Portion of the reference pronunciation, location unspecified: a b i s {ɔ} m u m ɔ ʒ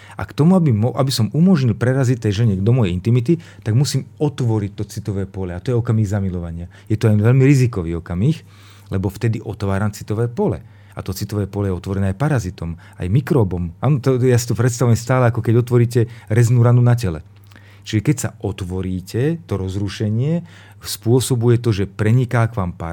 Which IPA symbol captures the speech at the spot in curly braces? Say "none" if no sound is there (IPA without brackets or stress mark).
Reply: ɔ